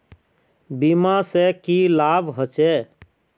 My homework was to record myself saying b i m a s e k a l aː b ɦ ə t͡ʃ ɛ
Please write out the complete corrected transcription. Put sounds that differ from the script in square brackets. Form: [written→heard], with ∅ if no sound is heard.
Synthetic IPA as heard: b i m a s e k [a→i] l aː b ɦ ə t͡ʃ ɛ